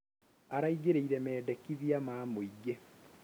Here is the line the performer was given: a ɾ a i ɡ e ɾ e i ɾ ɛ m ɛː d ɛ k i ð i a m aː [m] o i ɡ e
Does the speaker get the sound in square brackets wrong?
no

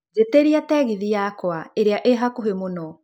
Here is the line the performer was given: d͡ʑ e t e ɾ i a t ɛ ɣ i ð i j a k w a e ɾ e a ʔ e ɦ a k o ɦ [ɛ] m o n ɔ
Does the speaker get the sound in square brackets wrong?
yes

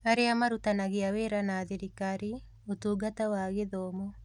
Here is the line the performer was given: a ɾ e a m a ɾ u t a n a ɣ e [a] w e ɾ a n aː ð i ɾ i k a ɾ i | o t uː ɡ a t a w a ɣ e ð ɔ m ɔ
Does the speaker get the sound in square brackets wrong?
no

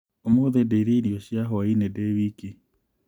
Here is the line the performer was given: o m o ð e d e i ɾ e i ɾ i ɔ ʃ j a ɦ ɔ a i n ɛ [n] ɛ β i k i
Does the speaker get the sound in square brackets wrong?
yes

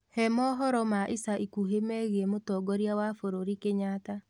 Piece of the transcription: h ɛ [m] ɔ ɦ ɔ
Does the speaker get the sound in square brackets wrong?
no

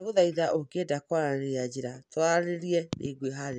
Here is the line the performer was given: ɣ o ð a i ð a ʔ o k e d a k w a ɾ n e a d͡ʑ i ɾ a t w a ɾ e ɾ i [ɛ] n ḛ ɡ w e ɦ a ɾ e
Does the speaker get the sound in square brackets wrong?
no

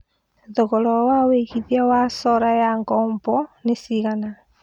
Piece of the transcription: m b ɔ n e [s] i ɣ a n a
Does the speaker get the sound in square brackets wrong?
no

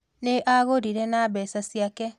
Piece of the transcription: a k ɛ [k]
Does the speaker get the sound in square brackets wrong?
yes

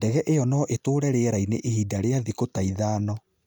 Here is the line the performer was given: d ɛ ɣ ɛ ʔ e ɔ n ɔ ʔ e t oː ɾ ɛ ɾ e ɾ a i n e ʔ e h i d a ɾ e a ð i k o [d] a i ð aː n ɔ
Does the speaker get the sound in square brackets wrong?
yes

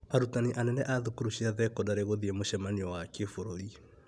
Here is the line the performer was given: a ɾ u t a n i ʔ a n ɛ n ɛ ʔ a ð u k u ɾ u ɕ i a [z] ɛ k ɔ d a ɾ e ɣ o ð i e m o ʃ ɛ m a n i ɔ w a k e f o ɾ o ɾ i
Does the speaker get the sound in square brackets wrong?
yes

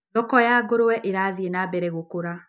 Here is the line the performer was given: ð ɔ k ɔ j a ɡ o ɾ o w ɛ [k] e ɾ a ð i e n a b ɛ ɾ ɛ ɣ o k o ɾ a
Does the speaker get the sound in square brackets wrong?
yes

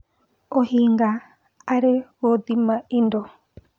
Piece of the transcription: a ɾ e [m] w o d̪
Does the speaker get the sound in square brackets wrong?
yes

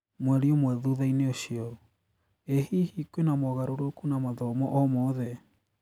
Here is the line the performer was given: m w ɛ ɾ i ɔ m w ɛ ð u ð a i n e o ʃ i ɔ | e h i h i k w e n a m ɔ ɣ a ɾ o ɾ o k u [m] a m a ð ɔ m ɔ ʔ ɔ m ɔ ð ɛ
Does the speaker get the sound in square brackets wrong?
yes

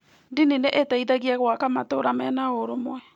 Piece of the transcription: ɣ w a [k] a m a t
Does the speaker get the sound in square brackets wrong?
no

